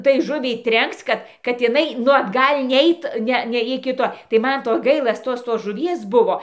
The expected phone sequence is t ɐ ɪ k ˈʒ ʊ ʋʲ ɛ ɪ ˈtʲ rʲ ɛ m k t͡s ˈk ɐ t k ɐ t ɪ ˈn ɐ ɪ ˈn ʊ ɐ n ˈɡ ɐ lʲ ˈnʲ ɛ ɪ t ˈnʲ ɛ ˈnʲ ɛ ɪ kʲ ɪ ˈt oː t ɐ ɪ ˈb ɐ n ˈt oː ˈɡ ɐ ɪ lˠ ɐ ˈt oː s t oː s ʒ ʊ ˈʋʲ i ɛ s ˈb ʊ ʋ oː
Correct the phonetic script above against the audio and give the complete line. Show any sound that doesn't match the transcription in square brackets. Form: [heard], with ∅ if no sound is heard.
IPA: t ɐ ɪ [∅] ˈʒ ʊ ʋʲ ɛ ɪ ˈtʲ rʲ ɛ [ŋ] k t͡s ˈk ɐ t k ɐ t ɪ ˈn ɐ ɪ ˈn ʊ ɐ [d] ˈɡ ɐ lʲ ˈnʲ ɛ ɪ t ˈnʲ ɛ ˈnʲ ɛ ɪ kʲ ɪ ˈt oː t ɐ ɪ [ˈm] ɐ n ˈt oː ˈɡ ɐ ɪ lˠ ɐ ˈt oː s t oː s ʒ ʊ ˈʋʲ i ɛ s ˈb ʊ ʋ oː